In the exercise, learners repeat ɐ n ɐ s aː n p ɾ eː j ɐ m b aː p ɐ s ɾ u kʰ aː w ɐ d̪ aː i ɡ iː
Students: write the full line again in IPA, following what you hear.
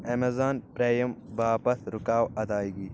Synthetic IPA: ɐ m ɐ z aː n p ɾ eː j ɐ m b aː p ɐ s ɾ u k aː w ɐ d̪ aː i ɡ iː